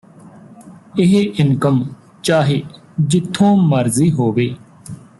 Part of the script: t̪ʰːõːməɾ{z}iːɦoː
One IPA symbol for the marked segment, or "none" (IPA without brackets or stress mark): z